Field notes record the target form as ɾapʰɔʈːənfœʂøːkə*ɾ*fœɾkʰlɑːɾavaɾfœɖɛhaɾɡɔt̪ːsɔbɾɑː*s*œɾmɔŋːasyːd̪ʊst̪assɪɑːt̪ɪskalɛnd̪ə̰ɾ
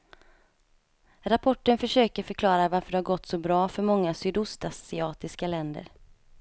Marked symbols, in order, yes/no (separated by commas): yes, no